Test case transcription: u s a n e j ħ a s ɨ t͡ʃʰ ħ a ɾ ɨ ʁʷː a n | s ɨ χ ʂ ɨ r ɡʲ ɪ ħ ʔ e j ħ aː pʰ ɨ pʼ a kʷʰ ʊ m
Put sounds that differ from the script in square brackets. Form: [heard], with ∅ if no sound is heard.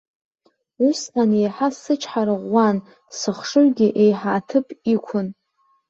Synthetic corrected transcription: u s a n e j ħ a s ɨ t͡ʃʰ ħ a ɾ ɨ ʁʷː a n | s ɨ χ ʂ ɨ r ɡʲ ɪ [∅] ʔ e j ħ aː [tʰ] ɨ pʼ [i] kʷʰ ʊ [n]